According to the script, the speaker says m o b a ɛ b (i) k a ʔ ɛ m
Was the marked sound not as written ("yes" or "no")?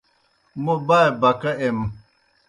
yes